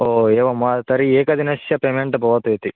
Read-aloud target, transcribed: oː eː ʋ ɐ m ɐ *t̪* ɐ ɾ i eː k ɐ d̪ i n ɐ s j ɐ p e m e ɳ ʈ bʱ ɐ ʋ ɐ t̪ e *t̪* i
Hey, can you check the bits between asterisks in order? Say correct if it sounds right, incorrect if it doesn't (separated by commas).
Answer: correct, correct